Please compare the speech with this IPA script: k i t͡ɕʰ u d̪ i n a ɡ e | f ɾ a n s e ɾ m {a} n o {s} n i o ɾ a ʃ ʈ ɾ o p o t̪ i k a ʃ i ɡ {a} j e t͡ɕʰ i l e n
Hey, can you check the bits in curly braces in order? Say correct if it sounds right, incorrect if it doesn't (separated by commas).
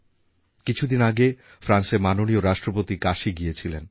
correct, incorrect, incorrect